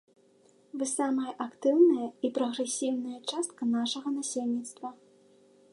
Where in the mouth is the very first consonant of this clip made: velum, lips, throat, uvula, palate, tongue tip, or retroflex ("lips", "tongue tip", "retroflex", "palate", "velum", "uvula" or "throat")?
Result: lips